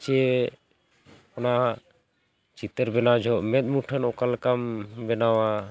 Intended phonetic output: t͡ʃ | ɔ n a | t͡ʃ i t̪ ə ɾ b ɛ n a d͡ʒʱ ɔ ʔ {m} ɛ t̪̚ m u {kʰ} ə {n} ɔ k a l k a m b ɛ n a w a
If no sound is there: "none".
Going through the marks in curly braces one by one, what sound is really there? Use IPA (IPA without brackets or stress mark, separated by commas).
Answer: m, ʈʰ, n